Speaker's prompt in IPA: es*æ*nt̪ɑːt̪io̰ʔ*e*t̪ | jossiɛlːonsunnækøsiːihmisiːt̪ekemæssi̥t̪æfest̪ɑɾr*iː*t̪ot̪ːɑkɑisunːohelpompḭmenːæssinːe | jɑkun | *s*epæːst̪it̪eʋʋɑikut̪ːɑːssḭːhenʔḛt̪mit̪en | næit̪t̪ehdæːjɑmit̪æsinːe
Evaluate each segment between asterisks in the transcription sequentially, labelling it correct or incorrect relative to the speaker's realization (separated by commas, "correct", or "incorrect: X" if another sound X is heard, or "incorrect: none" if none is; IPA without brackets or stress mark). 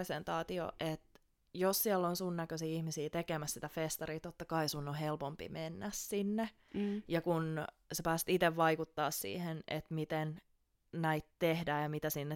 incorrect: e, correct, correct, correct